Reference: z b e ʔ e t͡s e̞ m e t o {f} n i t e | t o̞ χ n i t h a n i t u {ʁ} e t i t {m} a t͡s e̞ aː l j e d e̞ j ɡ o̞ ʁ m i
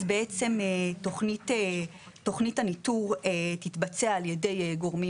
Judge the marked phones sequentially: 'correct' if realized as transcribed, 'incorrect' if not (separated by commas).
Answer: incorrect, correct, incorrect